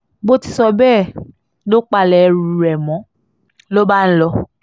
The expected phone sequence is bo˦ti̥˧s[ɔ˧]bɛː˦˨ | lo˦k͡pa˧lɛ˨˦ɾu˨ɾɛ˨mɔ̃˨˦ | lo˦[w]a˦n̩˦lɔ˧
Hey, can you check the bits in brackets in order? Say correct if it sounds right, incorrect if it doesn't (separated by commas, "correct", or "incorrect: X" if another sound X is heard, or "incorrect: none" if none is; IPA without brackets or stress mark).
correct, incorrect: b